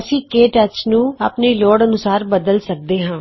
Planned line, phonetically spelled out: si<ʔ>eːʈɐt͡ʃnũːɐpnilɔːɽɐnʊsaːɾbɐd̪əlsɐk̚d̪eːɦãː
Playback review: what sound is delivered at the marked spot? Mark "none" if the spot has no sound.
k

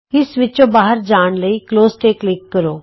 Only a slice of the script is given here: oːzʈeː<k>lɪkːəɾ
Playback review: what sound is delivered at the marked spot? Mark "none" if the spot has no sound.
k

